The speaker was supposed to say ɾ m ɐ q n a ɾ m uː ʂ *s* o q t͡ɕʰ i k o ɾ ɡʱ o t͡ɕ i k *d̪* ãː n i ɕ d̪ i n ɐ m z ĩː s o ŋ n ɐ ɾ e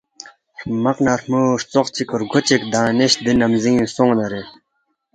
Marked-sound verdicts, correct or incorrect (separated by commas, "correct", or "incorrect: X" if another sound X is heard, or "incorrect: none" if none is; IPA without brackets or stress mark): incorrect: t͡s, correct